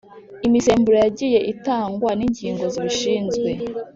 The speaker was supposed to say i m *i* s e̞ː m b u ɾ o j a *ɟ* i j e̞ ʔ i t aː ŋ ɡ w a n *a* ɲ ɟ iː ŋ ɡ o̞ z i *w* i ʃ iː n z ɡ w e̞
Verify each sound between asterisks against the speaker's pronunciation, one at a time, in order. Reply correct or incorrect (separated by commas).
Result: correct, correct, incorrect, incorrect